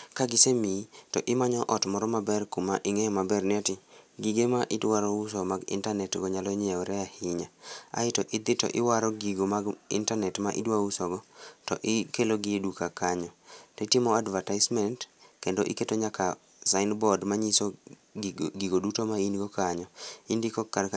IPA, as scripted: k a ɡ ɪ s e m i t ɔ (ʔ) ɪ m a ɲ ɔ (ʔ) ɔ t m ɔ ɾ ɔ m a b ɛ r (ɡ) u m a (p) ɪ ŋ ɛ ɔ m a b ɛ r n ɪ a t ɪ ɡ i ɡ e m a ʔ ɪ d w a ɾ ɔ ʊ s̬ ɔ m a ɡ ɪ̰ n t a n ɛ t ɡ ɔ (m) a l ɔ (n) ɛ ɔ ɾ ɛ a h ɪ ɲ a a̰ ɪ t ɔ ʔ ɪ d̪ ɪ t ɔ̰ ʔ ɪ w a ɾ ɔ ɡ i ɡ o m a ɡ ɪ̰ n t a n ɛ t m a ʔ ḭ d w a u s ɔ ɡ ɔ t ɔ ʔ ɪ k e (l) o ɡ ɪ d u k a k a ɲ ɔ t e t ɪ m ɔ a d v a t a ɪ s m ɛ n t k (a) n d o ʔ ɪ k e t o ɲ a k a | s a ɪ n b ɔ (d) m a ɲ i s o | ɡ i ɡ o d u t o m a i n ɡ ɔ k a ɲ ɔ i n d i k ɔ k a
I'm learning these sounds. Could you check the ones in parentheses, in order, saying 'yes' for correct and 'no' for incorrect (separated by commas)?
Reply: yes, yes, no, no, no, no, yes, no, yes